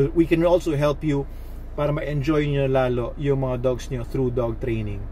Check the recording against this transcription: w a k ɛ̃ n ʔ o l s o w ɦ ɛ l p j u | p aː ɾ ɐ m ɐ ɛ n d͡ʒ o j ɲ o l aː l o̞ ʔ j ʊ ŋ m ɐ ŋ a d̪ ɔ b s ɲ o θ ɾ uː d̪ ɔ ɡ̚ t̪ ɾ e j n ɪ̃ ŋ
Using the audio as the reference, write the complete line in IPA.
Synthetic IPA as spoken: w i k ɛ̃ n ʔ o l s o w ɦ ɛ l p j u | p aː ɾ ɐ m ɐ ɛ n d͡ʒ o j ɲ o l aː l o̞ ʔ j ʊ ŋ m ɐ ŋ a d̪ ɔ ɡ s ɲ o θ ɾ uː d̪ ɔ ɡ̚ t̪ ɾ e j n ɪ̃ ŋ